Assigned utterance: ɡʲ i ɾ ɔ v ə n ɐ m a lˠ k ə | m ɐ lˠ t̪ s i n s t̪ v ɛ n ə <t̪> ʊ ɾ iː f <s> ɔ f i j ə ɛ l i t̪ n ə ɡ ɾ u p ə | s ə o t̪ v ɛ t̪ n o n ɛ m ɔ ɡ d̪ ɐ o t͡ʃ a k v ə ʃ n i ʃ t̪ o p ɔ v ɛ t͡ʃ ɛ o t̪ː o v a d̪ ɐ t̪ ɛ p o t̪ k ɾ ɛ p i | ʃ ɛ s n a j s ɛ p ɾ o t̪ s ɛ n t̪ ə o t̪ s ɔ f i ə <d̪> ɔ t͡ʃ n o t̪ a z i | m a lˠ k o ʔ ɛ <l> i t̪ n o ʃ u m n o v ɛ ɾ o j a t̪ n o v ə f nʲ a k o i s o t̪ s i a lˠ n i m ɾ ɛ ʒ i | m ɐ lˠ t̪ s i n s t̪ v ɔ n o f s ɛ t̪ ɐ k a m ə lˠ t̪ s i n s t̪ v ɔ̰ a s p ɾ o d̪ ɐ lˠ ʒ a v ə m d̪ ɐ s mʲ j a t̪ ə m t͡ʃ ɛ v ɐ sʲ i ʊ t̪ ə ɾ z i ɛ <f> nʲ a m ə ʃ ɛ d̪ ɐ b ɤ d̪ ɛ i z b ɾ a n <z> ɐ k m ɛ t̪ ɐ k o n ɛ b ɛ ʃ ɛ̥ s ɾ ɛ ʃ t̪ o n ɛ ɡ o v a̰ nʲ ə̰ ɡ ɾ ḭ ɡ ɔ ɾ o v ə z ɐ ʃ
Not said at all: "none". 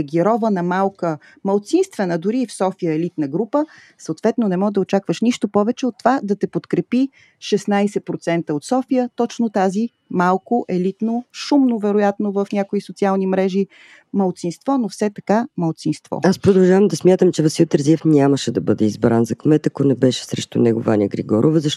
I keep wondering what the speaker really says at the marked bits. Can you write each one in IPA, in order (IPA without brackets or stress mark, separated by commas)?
d̪, s, t̪, l, f, z